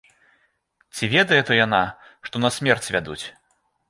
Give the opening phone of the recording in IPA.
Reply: t͡sʲ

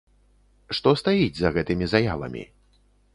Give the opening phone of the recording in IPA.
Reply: ʂ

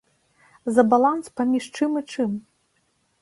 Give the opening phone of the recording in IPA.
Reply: z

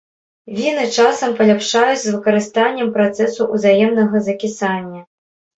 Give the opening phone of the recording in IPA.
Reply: vʲ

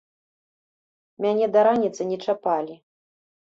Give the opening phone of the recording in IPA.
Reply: mʲ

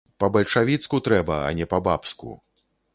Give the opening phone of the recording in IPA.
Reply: p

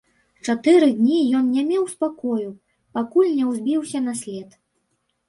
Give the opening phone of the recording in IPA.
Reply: t͡ʂ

